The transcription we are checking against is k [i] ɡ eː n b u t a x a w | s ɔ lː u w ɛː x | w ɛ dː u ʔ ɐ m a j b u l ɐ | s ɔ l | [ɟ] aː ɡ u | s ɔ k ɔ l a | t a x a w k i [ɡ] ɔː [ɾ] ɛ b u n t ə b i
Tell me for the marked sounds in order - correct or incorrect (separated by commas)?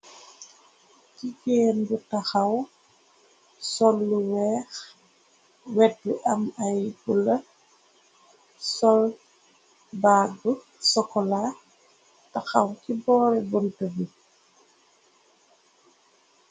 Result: correct, incorrect, incorrect, correct